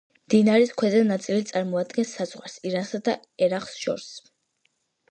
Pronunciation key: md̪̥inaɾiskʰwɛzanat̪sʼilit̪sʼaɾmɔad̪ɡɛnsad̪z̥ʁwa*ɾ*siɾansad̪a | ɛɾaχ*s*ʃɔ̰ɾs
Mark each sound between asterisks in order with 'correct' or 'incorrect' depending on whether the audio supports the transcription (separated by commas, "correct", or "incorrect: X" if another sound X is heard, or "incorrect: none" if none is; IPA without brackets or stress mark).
correct, correct